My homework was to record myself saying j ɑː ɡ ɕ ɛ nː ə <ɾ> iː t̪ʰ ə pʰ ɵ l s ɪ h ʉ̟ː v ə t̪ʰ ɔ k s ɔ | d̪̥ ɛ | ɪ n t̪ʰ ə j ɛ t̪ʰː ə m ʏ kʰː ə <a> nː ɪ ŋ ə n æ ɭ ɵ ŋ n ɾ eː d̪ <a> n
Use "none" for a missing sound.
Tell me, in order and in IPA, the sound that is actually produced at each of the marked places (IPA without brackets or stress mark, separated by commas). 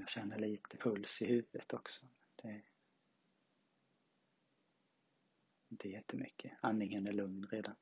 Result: ɭ, a, a